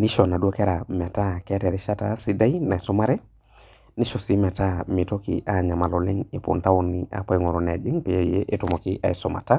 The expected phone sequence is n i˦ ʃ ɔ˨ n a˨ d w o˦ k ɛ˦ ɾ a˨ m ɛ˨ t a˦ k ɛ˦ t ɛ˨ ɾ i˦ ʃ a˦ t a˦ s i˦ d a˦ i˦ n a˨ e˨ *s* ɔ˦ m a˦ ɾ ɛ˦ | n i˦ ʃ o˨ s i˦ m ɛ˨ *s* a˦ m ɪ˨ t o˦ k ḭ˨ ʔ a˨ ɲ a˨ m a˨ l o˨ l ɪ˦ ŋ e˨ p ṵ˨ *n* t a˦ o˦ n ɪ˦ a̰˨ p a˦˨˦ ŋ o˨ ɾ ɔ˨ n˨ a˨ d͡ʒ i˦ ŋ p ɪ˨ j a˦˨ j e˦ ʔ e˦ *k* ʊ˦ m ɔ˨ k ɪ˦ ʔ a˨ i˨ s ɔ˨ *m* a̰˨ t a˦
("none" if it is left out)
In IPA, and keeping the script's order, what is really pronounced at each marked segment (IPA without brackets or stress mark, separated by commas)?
s, t, n, t, m